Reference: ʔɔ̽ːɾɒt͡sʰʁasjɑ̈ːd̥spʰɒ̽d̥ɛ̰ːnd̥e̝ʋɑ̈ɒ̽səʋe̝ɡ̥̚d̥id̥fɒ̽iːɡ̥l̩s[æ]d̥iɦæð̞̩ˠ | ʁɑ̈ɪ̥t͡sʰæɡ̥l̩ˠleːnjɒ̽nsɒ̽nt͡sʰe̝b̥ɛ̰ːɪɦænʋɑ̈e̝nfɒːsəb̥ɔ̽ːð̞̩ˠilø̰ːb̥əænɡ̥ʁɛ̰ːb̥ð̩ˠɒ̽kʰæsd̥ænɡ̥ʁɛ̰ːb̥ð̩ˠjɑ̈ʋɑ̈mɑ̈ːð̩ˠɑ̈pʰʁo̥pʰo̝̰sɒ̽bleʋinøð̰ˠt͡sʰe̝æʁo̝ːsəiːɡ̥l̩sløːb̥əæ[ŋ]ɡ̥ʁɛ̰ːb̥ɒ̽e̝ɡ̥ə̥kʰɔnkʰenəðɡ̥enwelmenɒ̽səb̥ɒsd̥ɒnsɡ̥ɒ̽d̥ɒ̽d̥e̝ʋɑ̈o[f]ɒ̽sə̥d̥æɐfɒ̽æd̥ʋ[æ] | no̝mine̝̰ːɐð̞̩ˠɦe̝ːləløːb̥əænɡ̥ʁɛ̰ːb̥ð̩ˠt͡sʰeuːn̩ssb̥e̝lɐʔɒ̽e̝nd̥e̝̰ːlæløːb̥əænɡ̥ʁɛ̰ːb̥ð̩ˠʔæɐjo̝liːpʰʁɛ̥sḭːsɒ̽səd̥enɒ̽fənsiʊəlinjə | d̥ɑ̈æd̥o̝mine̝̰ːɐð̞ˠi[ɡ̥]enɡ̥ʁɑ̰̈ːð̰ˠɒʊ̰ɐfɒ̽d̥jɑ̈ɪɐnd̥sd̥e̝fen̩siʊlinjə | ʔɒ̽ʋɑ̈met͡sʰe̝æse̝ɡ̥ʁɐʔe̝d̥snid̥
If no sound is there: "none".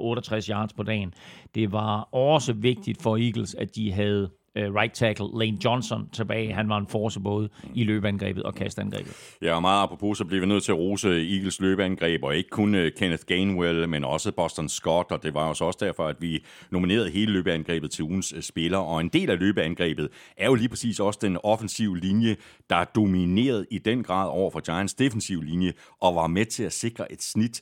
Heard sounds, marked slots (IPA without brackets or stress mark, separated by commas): æ, n, s, i, d̥